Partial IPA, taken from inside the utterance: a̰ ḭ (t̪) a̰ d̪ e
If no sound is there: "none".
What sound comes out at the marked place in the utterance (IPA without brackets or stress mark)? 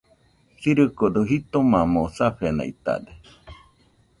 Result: t̪